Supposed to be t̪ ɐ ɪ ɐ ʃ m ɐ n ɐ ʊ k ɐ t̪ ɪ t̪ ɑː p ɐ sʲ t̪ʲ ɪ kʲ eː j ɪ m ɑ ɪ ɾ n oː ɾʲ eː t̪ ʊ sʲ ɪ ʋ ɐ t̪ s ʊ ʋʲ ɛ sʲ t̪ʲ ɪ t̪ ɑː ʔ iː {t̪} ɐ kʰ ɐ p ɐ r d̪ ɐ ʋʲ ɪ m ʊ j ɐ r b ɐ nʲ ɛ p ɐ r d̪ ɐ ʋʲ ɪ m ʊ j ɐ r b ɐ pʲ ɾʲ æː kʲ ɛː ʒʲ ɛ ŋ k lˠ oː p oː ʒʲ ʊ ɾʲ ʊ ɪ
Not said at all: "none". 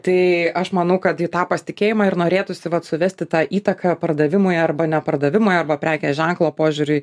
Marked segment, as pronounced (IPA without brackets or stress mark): t̪